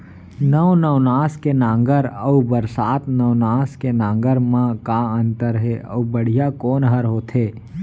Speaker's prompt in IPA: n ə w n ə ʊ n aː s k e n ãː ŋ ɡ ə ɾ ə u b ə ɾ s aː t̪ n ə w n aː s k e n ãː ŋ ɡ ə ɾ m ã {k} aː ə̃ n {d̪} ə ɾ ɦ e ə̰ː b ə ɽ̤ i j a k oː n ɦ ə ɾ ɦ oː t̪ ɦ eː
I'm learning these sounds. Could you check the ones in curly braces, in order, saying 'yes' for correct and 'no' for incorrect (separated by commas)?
yes, no